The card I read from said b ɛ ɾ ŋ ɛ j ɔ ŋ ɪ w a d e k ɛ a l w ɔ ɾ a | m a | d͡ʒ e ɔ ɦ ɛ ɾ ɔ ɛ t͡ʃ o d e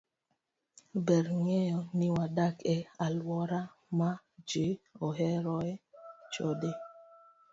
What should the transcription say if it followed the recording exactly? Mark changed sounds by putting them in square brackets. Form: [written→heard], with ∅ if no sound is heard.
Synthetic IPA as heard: b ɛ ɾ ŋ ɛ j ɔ [ŋ→n] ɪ w a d [e→a] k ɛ a l w ɔ ɾ a | m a | d͡ʒ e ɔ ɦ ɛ ɾ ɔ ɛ t͡ʃ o d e